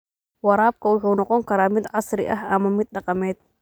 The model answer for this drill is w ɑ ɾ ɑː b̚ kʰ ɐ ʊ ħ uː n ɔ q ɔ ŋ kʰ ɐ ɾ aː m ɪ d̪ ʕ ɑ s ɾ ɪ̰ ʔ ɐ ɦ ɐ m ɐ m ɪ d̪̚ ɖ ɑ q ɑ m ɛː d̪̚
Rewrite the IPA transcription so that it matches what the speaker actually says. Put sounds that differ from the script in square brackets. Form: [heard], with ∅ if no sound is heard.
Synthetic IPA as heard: w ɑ ɾ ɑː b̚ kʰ ɐ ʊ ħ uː n ɔ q ɔ ŋ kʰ ɐ ɾ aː m ɪ d̪ ʕ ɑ s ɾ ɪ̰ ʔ ɐ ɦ ɐ m ɐ m ɪ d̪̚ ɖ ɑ q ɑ m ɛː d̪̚